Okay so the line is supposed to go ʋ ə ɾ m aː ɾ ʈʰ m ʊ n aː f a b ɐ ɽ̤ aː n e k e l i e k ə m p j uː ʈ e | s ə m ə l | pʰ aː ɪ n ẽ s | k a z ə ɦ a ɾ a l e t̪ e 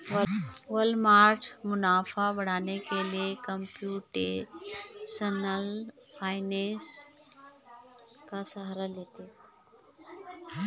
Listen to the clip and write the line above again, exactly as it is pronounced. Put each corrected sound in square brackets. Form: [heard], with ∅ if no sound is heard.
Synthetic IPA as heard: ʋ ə [l] m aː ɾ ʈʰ m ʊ n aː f a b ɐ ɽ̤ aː n e k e l i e k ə m p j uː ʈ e | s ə [n] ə l | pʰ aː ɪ n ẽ s | k a [s] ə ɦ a ɾ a l e t̪ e